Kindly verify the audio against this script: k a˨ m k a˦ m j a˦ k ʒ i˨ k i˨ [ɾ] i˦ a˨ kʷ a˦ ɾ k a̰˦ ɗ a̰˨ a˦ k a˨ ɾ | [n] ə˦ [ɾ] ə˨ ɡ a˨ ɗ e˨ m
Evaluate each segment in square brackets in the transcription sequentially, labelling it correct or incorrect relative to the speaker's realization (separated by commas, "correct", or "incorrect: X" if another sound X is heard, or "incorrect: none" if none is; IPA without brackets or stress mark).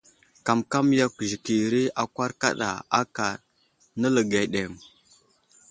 correct, correct, incorrect: l